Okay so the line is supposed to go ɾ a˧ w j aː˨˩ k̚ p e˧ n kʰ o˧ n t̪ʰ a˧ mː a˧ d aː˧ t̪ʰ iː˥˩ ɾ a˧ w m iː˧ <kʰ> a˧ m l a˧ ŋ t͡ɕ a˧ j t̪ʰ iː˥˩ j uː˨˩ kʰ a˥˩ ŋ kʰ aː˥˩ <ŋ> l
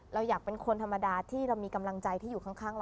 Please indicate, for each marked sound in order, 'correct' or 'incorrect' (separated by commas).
incorrect, correct